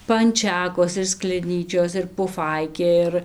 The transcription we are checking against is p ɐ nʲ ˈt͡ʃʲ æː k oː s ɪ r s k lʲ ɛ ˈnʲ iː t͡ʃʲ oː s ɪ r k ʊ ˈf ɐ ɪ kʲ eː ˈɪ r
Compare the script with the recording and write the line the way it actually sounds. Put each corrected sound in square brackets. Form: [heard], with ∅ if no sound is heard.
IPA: p ɐ nʲ ˈt͡ʃʲ æː k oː s ɪ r s k lʲ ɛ ˈnʲ iː t͡ʃʲ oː s ɪ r [p] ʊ ˈf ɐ ɪ kʲ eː ˈɪ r